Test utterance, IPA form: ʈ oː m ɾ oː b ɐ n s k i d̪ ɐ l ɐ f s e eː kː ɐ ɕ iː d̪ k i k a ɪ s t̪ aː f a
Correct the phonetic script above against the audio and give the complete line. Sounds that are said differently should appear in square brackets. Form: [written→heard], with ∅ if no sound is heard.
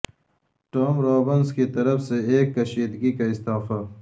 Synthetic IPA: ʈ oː m ɾ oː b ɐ n s k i [d̪→t̪] ɐ [l→ɾ] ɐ f s e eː kː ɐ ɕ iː d̪ [k→ɡ] i k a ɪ s t̪ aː f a